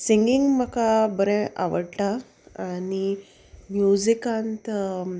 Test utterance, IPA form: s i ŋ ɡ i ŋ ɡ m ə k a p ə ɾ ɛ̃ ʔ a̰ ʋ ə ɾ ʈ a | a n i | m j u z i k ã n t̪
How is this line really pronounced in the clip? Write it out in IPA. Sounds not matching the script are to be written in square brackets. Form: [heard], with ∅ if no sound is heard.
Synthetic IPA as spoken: s i ŋ ɡ i ŋ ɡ m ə k a [b] ə ɾ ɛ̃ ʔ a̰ ʋ ə [ɽ] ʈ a | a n i | m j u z i k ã n t̪